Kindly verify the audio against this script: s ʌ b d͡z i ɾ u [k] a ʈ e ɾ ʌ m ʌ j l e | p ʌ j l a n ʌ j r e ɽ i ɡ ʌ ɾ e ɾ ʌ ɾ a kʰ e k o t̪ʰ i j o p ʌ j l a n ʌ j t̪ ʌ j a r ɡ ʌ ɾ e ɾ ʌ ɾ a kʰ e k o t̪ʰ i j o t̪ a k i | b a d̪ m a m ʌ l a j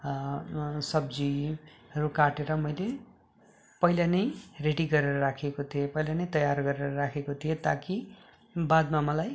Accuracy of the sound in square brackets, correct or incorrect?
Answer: correct